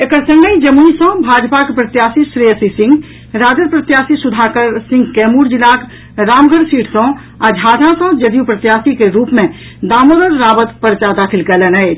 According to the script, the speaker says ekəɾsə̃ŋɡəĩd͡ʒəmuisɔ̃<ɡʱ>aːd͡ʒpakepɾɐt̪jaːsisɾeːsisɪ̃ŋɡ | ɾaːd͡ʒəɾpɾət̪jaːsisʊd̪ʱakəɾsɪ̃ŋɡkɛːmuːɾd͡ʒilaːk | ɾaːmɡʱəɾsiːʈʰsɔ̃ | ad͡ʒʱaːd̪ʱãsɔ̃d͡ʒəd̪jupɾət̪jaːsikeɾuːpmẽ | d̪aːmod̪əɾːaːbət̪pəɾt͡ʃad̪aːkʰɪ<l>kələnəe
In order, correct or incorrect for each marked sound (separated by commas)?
incorrect, correct